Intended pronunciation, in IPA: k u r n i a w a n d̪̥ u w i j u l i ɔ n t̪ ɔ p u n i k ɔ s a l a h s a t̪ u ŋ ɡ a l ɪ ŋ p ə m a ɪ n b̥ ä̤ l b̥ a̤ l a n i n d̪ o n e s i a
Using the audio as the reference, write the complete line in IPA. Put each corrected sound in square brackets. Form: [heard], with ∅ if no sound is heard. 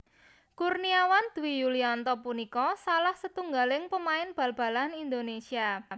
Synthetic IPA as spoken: k u r n i a w a n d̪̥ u w i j u l i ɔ n t̪ ɔ p u n i k ɔ s a l a h s [ə] t̪ u ŋ ɡ a l ɪ ŋ p ə m a ɪ n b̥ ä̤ l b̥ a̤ l a n i n d̪ o n e s i a